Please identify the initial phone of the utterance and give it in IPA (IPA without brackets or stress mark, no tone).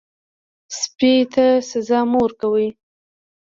s